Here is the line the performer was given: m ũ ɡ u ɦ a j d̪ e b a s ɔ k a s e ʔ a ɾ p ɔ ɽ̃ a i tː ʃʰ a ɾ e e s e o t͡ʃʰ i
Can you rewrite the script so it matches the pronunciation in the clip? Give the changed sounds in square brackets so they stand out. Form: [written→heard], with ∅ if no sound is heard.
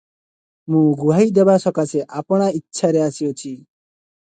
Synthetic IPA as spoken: m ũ ɡ u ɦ a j d̪ e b a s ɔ k a s e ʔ a [ɾ→∅] p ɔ ɽ̃ a i tː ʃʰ a ɾ e [e→a] s [e→i] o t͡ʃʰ i